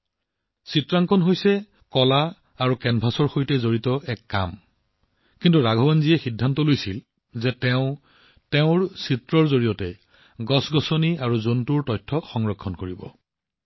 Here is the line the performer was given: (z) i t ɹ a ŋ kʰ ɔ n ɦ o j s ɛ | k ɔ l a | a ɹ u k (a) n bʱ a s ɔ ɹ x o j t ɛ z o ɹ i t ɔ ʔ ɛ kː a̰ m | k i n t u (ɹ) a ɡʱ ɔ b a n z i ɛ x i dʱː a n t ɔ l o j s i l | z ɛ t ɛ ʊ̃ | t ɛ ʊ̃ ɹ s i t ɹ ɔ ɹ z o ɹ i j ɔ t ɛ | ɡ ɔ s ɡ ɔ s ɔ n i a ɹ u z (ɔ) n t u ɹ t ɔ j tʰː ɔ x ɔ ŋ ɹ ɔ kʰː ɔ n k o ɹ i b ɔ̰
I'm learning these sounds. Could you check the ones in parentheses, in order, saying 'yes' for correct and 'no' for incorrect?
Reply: no, no, yes, no

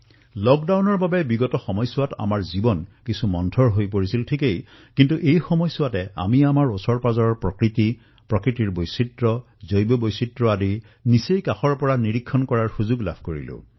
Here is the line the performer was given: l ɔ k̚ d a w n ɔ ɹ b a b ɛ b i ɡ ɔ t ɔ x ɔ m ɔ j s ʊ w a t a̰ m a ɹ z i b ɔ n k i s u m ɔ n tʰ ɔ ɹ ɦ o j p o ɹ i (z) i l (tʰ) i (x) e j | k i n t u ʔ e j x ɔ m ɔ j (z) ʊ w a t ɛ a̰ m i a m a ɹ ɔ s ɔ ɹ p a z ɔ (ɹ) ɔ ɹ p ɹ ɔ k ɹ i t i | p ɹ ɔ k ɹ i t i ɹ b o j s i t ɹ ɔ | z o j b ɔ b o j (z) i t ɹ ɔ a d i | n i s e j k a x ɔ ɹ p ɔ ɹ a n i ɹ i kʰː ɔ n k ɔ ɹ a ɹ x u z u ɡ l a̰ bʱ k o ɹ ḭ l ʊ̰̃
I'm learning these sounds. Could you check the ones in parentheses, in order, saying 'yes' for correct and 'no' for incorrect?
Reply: no, yes, no, no, yes, no

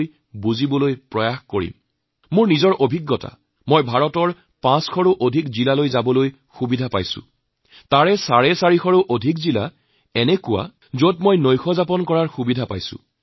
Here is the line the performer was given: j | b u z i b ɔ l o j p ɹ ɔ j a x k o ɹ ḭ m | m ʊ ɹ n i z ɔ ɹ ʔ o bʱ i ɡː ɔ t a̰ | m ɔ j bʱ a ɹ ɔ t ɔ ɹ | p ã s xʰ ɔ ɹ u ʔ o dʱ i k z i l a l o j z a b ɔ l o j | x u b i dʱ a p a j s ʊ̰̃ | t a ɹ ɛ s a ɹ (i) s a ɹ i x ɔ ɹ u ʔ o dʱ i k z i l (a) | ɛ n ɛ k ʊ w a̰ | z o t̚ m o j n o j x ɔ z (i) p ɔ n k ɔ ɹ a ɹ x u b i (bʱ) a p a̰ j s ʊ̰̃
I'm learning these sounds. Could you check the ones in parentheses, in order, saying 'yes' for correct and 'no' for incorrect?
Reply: no, yes, no, no

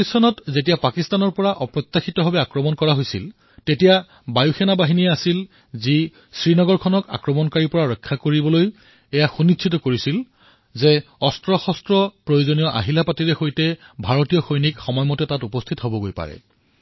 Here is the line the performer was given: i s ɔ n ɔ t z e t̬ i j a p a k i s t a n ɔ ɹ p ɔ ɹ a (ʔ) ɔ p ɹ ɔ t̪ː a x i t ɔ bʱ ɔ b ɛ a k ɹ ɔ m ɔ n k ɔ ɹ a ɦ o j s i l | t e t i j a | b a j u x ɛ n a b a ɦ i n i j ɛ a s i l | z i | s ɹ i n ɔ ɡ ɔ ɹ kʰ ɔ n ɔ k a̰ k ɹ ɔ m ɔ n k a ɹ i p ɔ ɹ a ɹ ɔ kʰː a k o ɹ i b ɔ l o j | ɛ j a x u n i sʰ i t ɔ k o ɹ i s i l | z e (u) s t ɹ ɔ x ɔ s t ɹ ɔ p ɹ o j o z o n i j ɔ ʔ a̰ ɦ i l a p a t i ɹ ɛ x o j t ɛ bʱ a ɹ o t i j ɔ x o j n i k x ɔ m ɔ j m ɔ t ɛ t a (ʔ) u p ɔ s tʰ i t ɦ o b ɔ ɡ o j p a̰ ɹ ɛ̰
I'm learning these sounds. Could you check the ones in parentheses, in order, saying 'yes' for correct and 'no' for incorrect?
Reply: yes, no, no

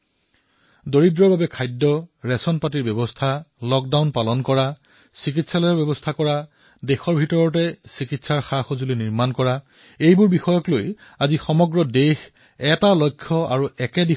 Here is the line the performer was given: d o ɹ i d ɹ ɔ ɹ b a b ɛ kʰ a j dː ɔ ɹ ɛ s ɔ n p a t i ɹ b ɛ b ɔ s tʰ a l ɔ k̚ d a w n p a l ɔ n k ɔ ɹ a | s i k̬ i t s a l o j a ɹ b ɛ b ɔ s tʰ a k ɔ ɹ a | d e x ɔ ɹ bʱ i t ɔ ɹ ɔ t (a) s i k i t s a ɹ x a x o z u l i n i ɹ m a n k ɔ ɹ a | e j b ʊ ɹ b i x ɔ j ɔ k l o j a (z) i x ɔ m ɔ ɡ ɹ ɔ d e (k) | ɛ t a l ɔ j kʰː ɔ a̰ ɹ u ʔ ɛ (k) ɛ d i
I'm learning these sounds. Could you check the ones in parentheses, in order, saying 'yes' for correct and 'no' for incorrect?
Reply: no, yes, no, yes

